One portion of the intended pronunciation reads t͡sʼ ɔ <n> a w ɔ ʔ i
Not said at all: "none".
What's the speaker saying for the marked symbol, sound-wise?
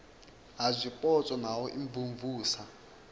n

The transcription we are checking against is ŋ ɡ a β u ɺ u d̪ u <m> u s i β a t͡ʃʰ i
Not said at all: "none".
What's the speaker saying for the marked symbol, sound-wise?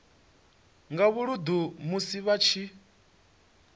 m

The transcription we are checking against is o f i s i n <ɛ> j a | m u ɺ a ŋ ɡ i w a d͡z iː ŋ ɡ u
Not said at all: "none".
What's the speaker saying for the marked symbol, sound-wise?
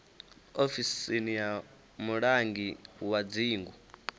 i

